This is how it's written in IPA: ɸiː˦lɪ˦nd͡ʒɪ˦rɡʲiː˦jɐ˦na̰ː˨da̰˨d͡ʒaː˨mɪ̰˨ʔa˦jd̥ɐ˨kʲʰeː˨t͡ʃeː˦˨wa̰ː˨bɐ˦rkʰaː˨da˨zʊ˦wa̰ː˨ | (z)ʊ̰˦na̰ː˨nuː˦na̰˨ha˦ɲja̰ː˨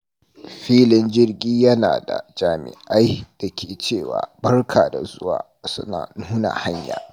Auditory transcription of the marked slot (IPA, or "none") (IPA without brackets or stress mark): s